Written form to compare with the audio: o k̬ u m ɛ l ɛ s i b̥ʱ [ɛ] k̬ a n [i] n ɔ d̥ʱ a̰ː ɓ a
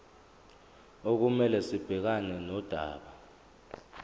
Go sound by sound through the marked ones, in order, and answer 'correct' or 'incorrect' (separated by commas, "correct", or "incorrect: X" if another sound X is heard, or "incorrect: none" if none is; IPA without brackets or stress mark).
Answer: correct, incorrect: ɛ